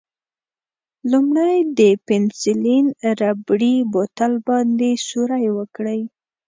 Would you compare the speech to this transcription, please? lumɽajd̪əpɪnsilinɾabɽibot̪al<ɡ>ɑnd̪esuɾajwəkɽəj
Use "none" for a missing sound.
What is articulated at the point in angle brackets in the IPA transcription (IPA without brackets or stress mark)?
b